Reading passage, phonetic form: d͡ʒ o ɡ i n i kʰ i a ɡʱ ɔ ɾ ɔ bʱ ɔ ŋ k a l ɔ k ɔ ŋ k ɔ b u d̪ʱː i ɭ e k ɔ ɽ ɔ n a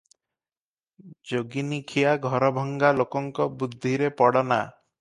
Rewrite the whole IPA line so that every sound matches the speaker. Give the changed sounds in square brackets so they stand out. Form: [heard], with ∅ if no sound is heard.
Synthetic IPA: d͡ʒ o ɡ i n i kʰ i a ɡʱ ɔ ɾ ɔ bʱ ɔ ŋ [ɡ] a l [o] k ɔ ŋ k ɔ b u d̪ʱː i [ɾ] e [p] ɔ ɽ ɔ n a